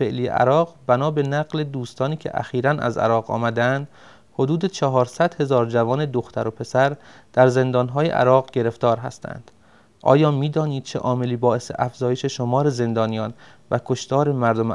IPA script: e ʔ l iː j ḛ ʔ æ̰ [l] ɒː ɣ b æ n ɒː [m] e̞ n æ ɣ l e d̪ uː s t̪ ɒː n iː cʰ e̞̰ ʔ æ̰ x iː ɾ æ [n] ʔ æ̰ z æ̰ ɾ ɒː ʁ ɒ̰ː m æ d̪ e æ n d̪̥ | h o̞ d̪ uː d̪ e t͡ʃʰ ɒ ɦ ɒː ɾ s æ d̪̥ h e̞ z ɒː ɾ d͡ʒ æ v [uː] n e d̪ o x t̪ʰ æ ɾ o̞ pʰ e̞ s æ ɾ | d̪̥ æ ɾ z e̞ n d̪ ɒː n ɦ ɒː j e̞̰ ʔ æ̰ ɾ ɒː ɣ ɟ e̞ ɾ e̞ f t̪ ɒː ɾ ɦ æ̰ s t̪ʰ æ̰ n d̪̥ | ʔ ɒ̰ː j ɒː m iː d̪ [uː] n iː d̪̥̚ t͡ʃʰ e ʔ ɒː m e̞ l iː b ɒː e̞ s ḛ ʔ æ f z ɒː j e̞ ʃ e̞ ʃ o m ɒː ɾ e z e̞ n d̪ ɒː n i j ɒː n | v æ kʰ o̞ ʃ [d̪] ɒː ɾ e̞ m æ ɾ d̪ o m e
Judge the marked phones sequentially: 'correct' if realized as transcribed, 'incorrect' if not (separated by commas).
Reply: incorrect, incorrect, correct, incorrect, incorrect, incorrect